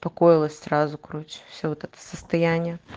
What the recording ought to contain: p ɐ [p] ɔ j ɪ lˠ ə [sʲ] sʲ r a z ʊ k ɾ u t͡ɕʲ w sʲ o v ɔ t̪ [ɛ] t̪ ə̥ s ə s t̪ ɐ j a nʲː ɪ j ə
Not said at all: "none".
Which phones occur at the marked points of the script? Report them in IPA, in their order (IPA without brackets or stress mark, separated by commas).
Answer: k, sʲ, ɛ